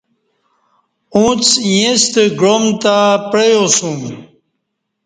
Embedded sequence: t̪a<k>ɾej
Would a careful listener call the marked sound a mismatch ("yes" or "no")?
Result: yes